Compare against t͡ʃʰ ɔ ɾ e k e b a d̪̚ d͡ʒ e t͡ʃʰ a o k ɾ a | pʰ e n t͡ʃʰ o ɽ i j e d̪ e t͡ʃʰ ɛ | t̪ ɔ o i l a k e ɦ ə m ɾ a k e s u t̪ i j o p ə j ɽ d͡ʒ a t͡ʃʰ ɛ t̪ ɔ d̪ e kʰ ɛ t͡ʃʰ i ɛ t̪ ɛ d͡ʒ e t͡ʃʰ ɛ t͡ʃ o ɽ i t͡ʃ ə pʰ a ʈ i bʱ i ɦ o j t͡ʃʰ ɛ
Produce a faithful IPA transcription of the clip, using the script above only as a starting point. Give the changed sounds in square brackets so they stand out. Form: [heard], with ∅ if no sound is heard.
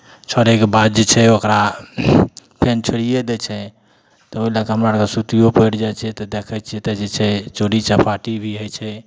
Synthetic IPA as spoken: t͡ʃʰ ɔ ɾ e k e b a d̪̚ d͡ʒ e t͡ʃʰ [ɛ] o k ɾ a | pʰ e n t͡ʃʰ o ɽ i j e d̪ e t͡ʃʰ ɛ | t̪ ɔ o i l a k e ɦ ə m ɾ a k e s u t̪ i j o p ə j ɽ d͡ʒ a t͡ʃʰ ɛ t̪ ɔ d̪ e kʰ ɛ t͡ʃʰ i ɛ t̪ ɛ d͡ʒ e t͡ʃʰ ɛ t͡ʃ o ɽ i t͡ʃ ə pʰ a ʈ i bʱ i ɦ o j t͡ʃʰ ɛ